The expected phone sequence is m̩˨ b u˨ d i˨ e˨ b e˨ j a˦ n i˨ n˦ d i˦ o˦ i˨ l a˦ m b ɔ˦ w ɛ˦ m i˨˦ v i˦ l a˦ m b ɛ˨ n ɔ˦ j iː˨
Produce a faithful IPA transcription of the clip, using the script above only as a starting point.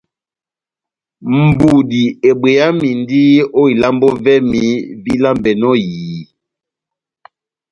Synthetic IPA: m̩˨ b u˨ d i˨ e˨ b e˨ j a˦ m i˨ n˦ d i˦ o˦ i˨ l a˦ m b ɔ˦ v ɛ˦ m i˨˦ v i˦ l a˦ m b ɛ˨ n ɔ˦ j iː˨